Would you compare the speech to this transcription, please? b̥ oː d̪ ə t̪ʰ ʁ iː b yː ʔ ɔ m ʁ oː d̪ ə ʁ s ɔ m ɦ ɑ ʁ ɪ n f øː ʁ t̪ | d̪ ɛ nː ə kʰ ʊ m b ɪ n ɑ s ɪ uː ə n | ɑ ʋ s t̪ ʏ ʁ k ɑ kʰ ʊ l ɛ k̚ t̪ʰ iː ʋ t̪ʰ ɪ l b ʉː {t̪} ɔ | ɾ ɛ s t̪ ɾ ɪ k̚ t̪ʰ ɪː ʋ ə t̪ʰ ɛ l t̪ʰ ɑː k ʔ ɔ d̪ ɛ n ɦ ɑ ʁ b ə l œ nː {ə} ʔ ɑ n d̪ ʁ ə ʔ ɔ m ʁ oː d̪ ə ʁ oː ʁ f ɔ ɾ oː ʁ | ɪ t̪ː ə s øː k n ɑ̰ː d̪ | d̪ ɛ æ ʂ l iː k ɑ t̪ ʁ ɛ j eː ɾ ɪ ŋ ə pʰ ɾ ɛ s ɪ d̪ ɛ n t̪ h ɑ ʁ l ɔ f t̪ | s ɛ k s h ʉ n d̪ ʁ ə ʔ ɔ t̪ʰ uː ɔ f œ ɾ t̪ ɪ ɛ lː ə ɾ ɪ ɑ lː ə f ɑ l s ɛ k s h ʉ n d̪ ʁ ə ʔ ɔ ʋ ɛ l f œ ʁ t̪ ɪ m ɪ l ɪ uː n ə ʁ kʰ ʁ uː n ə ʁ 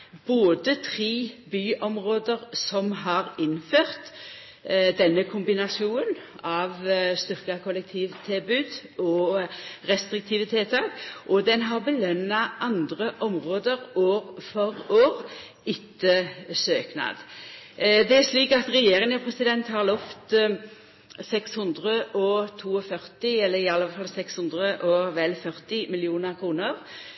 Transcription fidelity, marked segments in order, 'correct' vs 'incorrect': incorrect: d̪, incorrect: ɑ

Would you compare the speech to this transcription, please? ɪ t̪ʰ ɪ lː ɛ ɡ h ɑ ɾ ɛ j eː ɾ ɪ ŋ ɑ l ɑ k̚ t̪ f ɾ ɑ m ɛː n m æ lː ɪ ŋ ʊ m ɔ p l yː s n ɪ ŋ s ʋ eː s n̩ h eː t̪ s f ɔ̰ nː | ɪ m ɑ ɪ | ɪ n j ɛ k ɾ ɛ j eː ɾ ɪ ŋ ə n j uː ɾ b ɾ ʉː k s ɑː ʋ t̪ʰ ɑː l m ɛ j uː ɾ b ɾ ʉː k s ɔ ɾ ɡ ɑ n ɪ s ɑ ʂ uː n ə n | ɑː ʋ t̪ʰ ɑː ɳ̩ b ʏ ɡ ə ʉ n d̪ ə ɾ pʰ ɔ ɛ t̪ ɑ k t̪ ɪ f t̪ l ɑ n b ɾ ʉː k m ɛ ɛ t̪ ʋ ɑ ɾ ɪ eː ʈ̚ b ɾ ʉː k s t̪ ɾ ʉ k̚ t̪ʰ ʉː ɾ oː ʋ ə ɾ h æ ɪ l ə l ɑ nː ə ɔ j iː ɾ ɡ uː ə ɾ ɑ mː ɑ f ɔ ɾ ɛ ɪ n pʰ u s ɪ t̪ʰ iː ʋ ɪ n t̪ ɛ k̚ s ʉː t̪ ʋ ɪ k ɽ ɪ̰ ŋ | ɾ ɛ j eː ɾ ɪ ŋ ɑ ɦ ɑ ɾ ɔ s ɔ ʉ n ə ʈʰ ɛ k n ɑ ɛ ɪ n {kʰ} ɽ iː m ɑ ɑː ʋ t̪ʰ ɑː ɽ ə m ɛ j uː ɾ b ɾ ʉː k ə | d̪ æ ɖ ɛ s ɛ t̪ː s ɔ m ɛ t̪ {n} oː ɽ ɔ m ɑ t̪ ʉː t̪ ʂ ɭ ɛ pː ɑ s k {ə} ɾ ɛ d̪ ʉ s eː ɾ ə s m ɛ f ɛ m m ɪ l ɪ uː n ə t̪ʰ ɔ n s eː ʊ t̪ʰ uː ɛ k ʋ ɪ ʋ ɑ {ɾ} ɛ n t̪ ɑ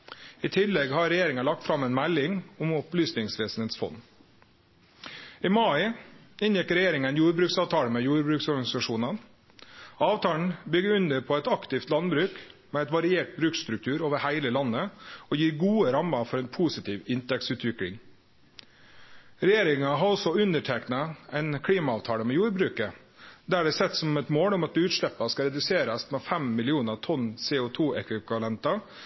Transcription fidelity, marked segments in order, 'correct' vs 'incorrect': correct, incorrect: m, incorrect: ɑ, incorrect: l

